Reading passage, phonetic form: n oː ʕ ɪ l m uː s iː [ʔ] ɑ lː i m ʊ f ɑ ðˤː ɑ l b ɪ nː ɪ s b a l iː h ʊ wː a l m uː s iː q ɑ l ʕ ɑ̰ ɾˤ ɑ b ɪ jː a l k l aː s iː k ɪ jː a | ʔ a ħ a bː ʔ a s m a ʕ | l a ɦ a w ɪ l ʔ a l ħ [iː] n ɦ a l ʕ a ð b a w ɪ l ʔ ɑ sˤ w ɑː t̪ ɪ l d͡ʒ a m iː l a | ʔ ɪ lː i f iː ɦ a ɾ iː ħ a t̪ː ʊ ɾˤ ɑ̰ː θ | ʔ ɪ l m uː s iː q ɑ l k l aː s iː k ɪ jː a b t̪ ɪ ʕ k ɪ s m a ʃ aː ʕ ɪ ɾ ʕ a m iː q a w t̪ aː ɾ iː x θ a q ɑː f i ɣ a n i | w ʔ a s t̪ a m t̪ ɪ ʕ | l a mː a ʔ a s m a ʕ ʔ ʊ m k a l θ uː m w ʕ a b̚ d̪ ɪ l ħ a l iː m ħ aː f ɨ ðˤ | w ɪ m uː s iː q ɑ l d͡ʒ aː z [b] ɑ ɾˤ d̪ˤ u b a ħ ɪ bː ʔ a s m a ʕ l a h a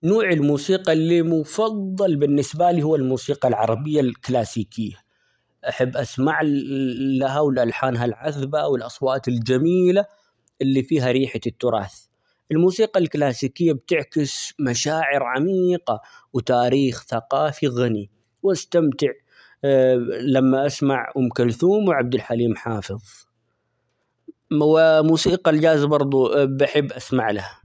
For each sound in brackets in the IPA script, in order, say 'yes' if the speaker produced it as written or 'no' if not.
no, no, yes

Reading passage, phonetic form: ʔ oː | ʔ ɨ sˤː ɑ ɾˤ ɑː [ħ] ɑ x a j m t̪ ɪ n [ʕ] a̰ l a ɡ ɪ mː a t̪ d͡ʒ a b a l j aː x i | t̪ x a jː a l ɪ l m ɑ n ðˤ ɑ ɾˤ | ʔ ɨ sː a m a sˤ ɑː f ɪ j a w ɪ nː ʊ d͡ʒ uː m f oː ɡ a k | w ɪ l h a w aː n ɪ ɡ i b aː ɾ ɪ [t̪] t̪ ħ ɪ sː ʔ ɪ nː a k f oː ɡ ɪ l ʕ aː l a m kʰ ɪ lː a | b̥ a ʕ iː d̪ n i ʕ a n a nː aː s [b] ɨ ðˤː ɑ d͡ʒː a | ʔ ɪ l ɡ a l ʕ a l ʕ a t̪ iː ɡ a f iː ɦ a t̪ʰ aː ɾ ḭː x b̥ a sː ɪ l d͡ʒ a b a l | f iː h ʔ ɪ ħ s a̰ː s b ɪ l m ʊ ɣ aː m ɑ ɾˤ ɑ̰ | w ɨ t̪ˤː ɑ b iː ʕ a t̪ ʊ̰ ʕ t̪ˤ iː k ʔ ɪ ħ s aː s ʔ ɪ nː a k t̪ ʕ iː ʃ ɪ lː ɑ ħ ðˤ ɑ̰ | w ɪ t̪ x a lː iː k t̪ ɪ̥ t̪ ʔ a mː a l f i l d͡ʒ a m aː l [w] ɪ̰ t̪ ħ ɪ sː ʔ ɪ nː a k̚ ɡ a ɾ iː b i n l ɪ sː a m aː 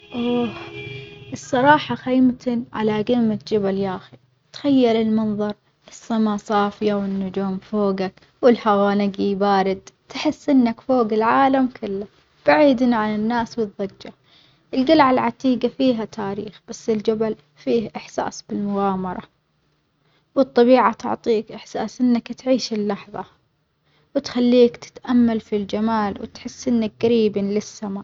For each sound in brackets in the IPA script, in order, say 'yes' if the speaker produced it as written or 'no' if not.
yes, yes, no, no, yes

